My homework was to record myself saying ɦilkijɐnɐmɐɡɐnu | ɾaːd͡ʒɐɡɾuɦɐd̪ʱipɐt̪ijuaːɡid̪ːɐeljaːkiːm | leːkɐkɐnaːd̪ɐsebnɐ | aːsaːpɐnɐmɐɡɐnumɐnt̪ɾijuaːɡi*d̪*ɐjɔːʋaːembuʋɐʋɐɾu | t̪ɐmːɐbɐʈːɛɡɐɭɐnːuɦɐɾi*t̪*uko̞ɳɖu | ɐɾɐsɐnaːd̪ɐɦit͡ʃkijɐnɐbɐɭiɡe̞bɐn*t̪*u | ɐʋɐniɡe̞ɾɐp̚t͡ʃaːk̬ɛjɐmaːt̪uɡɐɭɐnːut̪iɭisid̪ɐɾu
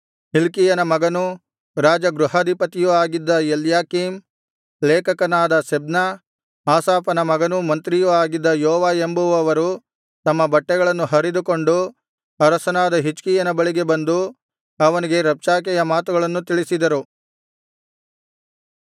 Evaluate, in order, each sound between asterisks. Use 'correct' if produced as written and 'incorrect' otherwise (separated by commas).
incorrect, incorrect, incorrect